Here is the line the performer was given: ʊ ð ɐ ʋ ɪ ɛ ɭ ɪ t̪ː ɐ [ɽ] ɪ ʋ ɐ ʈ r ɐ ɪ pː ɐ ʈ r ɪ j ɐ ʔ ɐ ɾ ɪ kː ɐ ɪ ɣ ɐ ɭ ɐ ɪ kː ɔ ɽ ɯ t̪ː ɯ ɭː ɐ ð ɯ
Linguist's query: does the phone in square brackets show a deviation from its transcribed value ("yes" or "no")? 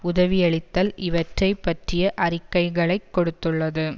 yes